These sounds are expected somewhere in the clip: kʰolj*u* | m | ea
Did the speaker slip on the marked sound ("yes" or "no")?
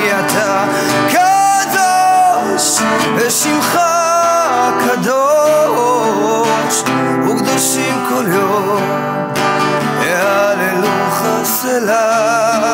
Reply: yes